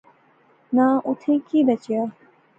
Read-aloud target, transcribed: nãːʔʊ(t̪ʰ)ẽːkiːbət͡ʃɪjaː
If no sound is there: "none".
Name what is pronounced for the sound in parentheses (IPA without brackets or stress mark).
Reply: t̪ʰ